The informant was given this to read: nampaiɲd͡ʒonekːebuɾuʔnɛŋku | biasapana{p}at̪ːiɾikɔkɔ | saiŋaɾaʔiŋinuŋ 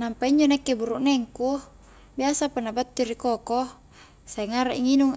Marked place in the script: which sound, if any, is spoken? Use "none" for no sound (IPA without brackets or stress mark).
b